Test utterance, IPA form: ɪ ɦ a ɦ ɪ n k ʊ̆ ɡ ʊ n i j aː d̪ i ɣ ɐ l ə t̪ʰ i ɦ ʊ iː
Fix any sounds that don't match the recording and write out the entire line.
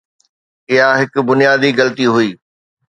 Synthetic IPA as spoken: ɪ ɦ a ɦ ɪ k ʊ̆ b ʊ n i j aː d̪ i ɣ ɐ l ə t̪ i ɦ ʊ iː